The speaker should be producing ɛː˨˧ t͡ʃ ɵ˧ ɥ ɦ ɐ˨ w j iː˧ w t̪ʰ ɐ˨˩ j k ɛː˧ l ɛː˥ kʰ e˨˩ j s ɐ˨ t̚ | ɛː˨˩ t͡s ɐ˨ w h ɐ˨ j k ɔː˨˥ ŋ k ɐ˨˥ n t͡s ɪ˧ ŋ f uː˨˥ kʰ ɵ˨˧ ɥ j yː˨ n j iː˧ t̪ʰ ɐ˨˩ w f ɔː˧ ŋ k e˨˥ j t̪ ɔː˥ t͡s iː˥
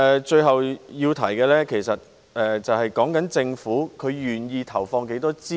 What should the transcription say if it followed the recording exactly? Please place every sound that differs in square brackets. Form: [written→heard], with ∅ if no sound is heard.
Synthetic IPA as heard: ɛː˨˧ t͡ʃ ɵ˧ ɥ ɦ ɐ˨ w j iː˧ w t̪ʰ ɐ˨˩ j k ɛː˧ l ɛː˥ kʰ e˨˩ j s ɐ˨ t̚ | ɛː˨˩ t͡s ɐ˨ w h ɐ˨ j k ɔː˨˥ ŋ k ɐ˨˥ n t͡s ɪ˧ ŋ f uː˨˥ kʰ ɵ˨˧ ɥ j yː˨ n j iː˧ t̪ʰ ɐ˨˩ w f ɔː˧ ŋ k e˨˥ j t̪ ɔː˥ t͡s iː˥